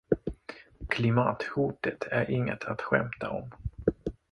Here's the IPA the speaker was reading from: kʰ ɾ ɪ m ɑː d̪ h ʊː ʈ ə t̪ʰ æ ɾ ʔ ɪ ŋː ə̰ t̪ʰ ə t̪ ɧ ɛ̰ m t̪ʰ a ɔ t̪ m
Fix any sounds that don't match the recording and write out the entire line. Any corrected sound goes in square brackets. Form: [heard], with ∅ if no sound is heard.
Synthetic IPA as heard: kʰ [l] ɪ m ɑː [t̪] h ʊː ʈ ə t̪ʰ æ ɾ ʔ ɪ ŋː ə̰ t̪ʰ [a] t̪ ɧ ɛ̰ m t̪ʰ a ɔ [∅] m